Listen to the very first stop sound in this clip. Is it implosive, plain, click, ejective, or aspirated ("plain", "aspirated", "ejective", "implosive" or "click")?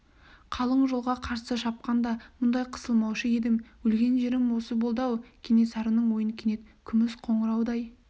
aspirated